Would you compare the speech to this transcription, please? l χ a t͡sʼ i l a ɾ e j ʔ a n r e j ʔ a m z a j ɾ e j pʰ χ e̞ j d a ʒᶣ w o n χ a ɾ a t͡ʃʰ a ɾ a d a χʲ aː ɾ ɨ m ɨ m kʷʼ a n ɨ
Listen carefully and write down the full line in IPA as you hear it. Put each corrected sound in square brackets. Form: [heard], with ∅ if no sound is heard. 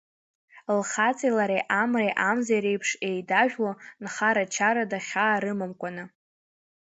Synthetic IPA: l χ a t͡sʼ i l a ɾ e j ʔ a [m] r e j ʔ a m z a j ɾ e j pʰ [ʂ] e̞ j d a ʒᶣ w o n χ a ɾ a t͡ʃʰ a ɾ a d a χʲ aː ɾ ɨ m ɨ m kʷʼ a n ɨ